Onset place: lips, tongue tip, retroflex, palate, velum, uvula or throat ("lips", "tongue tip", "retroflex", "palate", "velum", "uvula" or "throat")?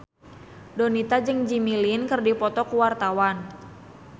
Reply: tongue tip